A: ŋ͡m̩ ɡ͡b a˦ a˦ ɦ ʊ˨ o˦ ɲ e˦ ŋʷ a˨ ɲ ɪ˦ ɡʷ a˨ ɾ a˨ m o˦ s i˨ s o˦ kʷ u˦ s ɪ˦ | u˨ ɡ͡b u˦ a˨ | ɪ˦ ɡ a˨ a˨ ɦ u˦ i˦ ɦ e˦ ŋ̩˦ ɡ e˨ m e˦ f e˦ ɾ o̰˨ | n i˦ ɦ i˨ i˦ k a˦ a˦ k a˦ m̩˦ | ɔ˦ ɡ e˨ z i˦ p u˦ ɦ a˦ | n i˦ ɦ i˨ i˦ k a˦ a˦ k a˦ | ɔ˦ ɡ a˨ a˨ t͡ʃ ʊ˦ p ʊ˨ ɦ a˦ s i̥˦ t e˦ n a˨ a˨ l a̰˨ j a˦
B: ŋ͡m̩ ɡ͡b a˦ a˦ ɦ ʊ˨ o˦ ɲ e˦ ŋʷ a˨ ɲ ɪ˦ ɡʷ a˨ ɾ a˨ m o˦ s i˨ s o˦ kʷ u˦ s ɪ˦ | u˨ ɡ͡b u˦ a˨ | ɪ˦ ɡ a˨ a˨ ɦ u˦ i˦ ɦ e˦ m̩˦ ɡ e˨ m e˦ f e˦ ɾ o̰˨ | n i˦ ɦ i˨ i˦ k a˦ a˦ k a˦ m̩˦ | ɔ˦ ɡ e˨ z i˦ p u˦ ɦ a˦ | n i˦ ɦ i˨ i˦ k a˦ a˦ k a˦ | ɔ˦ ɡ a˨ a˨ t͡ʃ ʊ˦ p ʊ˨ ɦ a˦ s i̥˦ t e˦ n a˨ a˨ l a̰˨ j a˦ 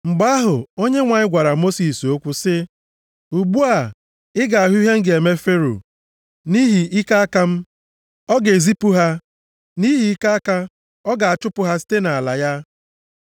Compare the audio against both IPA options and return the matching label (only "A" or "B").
A